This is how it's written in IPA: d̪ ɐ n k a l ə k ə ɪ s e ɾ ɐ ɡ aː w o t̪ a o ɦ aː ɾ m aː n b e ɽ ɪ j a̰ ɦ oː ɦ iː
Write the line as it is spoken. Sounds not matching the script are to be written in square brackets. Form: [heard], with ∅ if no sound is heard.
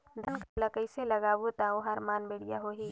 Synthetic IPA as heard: d̪ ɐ n k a l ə k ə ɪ s e [l] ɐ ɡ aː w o t̪ a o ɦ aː ɾ m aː n b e ɽ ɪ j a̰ ɦ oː ɦ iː